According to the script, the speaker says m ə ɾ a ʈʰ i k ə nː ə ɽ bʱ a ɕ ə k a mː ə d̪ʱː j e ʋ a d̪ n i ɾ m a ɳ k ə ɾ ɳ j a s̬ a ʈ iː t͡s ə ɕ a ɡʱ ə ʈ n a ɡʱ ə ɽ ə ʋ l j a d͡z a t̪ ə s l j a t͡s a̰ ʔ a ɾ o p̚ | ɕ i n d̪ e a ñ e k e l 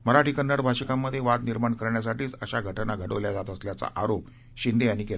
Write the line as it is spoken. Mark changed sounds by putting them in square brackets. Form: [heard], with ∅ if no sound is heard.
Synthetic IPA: m ə ɾ a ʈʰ i k ə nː ə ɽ bʱ a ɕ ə k a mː ə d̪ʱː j e ʋ a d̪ n i ɾ m a ɳ k ə ɾ ɳ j a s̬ a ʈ iː t͡s ə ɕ a ɡʱ ə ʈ n a ɡʱ ə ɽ ə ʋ l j a d͡z a t̪ ə s l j a t͡s a̰ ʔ a ɾ o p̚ | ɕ i n d̪ e a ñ [i] k e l